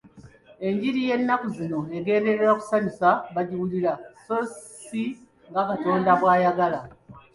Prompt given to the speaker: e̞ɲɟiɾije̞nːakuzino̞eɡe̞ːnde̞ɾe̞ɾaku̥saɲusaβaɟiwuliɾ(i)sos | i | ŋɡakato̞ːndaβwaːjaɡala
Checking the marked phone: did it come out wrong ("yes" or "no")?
yes